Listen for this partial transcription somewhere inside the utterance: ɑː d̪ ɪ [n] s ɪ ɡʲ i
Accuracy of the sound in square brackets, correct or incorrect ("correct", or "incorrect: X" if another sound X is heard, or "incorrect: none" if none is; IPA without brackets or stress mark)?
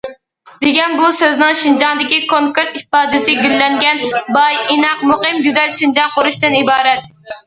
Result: incorrect: none